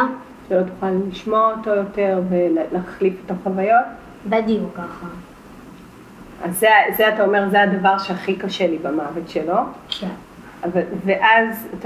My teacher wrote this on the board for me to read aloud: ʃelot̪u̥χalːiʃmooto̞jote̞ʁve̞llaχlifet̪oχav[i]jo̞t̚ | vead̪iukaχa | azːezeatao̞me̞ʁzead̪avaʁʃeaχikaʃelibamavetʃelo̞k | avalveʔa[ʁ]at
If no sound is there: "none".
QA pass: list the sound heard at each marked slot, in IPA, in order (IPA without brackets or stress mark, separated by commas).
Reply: a, z